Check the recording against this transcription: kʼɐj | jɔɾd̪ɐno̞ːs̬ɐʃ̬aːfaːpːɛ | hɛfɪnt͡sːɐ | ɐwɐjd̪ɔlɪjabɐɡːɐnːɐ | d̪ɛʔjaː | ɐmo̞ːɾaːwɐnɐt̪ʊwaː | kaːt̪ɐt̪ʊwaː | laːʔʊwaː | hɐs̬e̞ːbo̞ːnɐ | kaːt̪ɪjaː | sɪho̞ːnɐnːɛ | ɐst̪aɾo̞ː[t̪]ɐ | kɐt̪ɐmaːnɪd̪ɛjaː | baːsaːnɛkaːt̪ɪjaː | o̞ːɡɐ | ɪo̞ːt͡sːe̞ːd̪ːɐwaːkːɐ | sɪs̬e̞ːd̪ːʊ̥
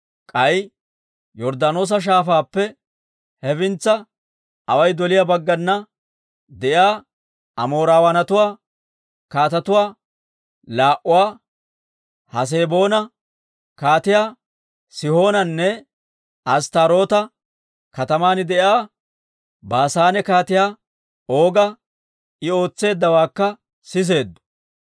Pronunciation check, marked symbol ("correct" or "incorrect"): correct